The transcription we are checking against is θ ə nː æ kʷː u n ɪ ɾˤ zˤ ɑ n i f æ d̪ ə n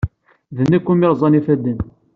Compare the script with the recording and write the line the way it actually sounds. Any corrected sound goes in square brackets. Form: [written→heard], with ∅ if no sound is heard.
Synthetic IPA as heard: [θ→ð] ə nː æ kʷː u [n→m] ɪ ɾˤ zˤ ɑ n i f æ d̪ ə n

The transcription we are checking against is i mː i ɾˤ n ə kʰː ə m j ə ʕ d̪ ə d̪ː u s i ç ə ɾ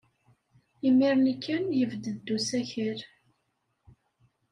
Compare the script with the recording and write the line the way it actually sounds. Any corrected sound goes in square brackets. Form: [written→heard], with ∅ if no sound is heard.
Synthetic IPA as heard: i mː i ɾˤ n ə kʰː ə [m→n] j ə [ʕ→v] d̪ ə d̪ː u s [i→æ] ç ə ɾ

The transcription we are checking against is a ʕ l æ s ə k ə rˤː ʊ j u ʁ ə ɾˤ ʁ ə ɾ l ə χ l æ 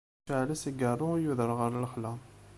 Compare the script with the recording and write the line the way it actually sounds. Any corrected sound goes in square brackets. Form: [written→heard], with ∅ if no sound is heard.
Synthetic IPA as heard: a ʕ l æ s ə [k→ɡ] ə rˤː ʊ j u [ʁ→ð] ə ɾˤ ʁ ə ɾ l ə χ l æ

